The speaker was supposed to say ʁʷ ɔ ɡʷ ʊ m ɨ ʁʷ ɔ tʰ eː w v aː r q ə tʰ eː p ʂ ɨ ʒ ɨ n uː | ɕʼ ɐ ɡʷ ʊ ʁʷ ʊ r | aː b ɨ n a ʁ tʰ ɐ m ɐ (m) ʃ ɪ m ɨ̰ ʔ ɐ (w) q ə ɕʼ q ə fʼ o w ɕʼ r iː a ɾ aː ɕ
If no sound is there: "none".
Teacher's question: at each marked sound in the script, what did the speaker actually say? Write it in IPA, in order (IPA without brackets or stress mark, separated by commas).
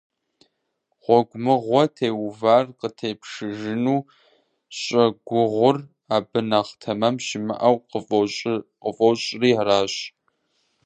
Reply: m, w